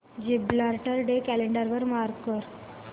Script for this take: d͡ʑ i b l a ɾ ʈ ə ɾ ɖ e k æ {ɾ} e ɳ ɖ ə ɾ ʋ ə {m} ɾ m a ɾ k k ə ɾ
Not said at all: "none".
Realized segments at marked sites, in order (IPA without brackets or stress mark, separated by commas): l, none